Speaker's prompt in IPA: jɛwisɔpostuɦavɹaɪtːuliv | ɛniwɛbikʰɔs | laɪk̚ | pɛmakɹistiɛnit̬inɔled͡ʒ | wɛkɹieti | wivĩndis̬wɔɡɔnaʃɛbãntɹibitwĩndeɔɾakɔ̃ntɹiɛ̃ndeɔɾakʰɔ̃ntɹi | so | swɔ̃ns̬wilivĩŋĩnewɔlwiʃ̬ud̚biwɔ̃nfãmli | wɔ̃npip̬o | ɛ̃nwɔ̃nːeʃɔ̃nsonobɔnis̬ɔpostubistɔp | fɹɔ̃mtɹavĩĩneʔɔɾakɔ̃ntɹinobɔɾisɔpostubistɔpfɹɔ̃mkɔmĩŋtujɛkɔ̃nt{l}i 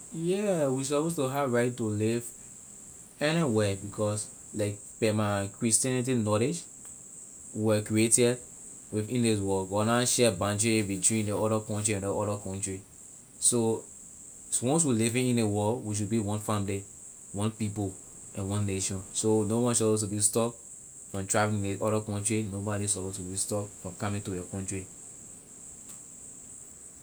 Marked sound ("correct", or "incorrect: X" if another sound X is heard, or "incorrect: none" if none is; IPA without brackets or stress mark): incorrect: ɹ